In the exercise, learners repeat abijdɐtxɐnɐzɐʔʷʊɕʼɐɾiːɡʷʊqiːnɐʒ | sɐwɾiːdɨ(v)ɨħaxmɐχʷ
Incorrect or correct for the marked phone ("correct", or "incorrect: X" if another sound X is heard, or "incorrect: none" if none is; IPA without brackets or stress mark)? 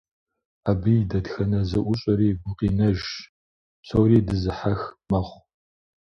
incorrect: z